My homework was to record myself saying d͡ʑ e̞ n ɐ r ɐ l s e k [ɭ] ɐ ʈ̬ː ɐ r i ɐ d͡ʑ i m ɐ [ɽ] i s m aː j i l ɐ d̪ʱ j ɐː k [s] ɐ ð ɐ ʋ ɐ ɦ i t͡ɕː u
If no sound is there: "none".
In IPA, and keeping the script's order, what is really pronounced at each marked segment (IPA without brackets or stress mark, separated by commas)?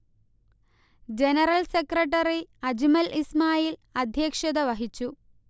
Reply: r, l, ʂ